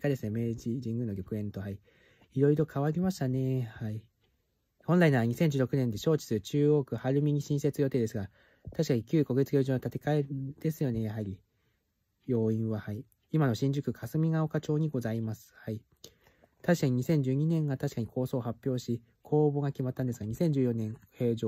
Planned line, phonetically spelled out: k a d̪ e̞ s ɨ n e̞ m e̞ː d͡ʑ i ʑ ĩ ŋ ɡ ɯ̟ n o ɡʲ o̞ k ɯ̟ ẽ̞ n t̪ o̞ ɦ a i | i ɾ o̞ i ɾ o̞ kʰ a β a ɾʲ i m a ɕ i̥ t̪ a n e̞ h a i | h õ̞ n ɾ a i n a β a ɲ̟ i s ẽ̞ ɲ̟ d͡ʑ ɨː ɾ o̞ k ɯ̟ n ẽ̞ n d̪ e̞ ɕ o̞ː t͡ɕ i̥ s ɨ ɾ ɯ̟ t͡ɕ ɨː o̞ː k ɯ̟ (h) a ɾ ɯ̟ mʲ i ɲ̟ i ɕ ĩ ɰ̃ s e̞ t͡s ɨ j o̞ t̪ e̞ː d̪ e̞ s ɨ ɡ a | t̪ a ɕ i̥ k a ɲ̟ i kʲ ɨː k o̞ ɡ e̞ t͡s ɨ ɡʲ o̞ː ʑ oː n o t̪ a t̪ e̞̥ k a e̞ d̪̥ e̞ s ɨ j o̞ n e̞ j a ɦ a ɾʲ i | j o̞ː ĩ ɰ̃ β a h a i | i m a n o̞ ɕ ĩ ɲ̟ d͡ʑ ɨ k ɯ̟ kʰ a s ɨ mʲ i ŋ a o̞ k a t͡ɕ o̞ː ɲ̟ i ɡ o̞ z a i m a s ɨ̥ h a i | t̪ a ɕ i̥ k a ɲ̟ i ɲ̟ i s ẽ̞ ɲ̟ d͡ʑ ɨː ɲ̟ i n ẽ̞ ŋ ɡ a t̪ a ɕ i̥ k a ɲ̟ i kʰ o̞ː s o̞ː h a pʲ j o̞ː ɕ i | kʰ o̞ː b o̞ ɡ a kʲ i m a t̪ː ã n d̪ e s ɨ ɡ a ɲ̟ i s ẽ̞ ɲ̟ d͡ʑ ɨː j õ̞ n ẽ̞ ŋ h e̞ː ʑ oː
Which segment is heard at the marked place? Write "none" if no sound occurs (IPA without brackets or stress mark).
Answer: h